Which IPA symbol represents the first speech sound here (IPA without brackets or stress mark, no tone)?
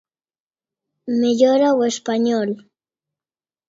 m